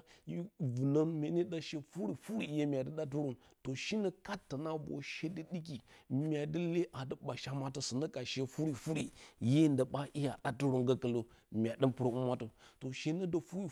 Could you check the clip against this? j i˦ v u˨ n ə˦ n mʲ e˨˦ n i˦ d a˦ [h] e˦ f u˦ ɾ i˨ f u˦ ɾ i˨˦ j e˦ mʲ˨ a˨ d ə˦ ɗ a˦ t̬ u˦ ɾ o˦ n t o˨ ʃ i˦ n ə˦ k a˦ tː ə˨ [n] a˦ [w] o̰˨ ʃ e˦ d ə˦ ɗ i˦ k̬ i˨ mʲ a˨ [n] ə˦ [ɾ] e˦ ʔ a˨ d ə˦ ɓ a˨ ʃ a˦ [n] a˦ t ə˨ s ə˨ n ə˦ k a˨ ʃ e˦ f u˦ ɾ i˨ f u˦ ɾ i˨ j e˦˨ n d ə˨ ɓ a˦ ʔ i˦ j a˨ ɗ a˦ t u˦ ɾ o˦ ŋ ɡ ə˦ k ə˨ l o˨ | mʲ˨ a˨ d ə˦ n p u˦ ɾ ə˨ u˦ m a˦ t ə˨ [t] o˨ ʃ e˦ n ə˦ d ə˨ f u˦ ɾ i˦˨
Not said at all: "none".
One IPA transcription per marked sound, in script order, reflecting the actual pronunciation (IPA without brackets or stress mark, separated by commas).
ʃ, n, b, d, l, m, t